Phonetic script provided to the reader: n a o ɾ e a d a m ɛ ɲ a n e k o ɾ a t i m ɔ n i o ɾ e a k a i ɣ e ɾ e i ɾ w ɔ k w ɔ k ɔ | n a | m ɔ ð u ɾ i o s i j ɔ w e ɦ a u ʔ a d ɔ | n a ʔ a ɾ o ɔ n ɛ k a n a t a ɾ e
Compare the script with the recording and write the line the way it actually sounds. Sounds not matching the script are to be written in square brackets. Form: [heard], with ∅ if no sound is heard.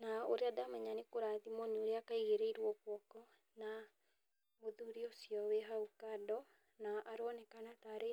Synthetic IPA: n a o ɾ e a d a m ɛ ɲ a n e k o ɾ a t i m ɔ n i o ɾ e a k a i ɣ e ɾ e i ɾ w ɔ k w ɔ k ɔ | n a | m [o] ð u ɾ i o s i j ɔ w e ɦ a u [k] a d ɔ | n a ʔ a ɾ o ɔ n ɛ k a n a t a ɾ e